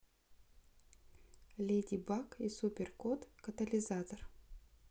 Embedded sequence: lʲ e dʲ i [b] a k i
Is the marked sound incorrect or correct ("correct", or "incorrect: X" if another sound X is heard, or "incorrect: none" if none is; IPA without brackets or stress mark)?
correct